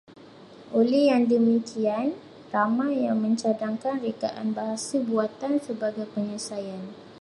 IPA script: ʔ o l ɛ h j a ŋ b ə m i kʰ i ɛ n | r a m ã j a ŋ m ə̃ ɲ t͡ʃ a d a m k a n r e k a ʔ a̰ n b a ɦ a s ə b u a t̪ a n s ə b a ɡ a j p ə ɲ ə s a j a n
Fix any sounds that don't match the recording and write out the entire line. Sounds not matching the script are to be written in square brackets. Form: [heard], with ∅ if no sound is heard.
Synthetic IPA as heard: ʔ o l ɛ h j a ŋ [d] ə m i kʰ i [a] n | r a m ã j a ŋ m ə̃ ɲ t͡ʃ a d a [ŋ] k a n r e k a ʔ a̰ n b a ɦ a s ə b u a t̪ a n s ə b a ɡ a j p ə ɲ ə s a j a n